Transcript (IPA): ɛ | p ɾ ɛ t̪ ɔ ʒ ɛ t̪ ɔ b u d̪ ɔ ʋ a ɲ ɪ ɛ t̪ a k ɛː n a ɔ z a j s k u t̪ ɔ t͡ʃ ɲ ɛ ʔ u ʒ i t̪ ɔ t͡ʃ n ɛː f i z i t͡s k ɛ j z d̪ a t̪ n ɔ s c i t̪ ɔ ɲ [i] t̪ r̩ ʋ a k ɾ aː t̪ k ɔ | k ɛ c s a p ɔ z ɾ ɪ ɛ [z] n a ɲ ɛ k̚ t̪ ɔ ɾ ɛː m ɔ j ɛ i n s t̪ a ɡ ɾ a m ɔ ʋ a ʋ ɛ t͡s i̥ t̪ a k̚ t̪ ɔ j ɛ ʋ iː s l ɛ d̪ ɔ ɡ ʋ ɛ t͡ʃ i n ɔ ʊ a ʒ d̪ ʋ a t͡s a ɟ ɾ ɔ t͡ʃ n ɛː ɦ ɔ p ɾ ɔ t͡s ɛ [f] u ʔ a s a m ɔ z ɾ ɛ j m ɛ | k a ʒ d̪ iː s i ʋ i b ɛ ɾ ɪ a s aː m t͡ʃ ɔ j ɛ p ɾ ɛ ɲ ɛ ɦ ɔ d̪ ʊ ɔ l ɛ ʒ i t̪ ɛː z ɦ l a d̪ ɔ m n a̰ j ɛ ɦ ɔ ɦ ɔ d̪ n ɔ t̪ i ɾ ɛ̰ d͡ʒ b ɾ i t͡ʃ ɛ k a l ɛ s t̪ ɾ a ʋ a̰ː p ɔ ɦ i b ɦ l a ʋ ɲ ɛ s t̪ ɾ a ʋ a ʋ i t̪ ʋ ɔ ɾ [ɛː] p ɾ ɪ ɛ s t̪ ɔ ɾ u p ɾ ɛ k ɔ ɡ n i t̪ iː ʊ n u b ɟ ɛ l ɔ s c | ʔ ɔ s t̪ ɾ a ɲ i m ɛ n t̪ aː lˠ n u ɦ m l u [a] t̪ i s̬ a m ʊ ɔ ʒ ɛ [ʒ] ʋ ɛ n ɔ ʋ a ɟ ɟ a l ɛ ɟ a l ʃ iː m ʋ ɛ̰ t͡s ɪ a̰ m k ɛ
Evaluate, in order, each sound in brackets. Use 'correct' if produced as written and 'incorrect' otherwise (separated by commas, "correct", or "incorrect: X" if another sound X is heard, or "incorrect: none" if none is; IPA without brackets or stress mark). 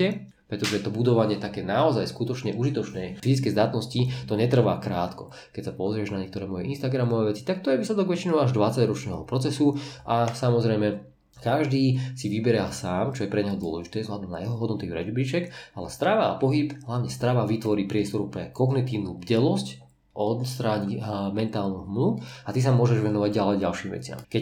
incorrect: ɛ, incorrect: ʒ, incorrect: s, incorrect: iː, correct, correct